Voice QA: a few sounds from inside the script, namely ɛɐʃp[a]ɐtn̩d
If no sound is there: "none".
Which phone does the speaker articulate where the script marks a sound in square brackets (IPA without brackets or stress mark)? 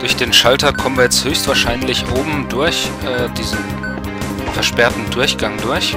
ɛ